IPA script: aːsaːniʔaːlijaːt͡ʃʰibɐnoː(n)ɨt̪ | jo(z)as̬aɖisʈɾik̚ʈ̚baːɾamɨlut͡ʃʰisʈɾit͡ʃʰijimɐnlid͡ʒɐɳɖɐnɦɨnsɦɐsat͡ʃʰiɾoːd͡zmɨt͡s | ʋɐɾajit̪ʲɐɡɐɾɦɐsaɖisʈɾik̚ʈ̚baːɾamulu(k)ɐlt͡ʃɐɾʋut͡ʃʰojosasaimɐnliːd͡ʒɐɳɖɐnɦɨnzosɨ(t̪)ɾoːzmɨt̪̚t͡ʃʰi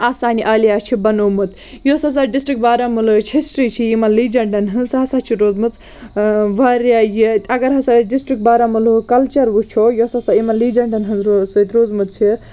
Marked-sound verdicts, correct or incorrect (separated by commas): incorrect, incorrect, correct, correct